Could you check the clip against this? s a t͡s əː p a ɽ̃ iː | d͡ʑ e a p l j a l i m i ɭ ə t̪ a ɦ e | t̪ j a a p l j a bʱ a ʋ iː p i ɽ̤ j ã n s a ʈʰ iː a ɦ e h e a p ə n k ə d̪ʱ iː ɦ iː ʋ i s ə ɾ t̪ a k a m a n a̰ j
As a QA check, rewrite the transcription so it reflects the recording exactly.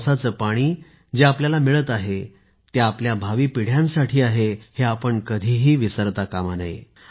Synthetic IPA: s a t͡s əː p a ɽ̃ iː | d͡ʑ e a p l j a l a m i ɭ ə t̪ a ɦ e | t̪ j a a p l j a bʱ a ʋ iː p i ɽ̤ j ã n s a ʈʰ iː a ɦ e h e a p ə ɳ k ə d̪ʱ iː ɦ iː ʋ i s ə ɾ t̪ a k a m a n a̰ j